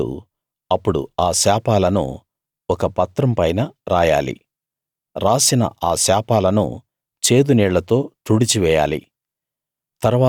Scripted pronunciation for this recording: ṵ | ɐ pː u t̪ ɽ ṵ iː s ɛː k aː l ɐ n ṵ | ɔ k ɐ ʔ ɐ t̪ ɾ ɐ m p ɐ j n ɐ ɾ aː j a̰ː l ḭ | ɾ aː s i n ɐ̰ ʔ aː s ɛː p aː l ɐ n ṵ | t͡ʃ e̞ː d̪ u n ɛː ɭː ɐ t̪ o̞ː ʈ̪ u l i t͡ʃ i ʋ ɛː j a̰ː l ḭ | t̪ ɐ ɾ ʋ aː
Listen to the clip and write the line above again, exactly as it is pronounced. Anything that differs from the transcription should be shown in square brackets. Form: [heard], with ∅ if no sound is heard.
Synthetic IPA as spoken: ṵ | ɐ pː u [∅] ɽ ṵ [aː] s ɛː [p] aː l ɐ n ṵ | ɔ k ɐ [p] ɐ t̪ ɾ ɐ m p ɐ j n ɐ ɾ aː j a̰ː l ḭ | ɾ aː s i n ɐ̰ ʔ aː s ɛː p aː l ɐ n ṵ | t͡ʃ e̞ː d̪ u n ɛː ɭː ɐ t̪ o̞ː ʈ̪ u [ɽ] i t͡ʃ i ʋ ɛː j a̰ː l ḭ | t̪ ɐ ɾ ʋ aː

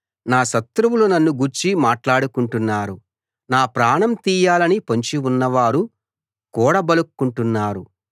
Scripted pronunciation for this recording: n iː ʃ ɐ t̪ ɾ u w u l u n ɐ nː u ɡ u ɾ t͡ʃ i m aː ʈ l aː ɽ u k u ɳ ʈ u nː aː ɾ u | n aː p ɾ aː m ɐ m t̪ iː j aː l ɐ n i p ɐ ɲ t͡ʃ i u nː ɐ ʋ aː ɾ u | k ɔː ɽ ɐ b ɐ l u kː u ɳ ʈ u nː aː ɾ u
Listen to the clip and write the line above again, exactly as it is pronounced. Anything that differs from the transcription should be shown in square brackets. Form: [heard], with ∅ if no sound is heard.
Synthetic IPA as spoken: n [aː] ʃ ɐ t̪ ɾ u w u l u n ɐ nː u ɡ u ɾ t͡ʃ i m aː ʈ l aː ɽ u k u ɳ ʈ u nː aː ɾ u | n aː p ɾ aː [ɳ] ɐ m t̪ iː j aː l ɐ n i p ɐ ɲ t͡ʃ i u nː ɐ ʋ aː ɾ u | k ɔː ɽ ɐ b ɐ l u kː u ɳ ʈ u nː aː ɾ u

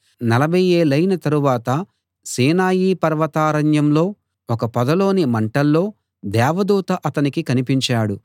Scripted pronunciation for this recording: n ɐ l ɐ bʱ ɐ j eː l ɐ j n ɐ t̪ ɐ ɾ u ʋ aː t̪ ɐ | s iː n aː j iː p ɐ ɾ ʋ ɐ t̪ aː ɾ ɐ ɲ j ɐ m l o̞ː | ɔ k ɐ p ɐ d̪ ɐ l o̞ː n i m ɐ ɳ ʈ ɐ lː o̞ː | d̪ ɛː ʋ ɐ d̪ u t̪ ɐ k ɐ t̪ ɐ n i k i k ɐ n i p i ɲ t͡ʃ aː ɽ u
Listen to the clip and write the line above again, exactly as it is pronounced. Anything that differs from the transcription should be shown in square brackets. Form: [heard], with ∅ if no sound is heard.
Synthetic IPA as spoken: n ɐ l ɐ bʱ ɐ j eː l ɐ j n ɐ t̪ ɐ ɾ u ʋ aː t̪ ɐ | s iː n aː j iː p ɐ ɾ ʋ ɐ t̪ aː ɾ ɐ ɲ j ɐ m l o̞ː | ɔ k ɐ p ɐ d̪ ɐ l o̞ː n i m ɐ ɳ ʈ ɐ lː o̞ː | d̪ ɛː ʋ ɐ d̪ [uː] t̪ ɐ [ʔ] ɐ t̪ ɐ n i k i k ɐ n i p i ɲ t͡ʃ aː ɽ u

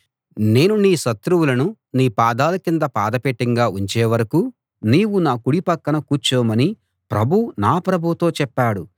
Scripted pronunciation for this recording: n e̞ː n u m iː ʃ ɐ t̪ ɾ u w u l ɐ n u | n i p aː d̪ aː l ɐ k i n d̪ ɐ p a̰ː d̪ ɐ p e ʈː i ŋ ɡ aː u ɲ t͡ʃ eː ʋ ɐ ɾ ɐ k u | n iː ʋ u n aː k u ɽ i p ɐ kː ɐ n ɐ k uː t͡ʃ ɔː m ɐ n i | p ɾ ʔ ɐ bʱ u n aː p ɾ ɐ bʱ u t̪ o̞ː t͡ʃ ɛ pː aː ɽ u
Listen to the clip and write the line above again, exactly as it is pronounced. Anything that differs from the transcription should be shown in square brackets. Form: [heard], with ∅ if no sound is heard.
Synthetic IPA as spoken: n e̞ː n u [n] iː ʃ ɐ t̪ ɾ u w u l ɐ n u | n [iː] p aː d̪ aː l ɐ k i n d̪ ɐ p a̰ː d̪ ɐ p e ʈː i ŋ ɡ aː u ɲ t͡ʃ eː ʋ ɐ ɾ ɐ k u | n iː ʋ u n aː k u ɽ i p ɐ kː ɐ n ɐ k uː t͡ʃ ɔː m ɐ n i | p ɾ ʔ ɐ bʱ u n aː p ɾ ɐ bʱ u t̪ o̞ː t͡ʃ ɛ pː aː ɽ u

